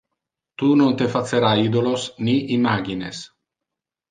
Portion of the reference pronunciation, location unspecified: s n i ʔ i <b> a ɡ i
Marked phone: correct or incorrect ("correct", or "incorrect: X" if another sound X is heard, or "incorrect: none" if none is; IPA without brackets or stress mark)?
incorrect: m